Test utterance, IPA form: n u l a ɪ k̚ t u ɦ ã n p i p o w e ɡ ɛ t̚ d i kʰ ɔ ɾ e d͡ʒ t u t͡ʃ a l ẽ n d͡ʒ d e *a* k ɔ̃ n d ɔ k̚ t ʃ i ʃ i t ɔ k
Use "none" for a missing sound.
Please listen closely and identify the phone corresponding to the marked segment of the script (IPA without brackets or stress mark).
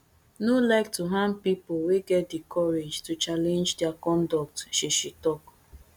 a